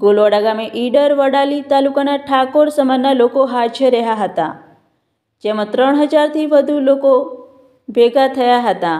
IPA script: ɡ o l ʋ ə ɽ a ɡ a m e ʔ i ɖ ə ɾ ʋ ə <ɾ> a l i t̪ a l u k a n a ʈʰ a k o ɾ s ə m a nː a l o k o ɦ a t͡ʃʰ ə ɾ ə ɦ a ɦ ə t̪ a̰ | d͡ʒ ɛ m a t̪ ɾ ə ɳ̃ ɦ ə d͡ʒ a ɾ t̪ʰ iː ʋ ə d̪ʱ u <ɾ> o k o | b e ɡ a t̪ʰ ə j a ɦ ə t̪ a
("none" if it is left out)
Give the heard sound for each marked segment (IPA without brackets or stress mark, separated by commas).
ɽ, l